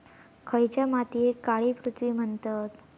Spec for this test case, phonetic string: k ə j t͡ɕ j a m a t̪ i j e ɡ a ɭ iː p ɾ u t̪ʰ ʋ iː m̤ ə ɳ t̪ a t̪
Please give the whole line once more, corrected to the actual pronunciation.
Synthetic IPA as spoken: kʰ ə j t͡ɕ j a m a t̪ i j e k a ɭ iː p ɾ u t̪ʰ ʋ iː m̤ ə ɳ t̪ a t̪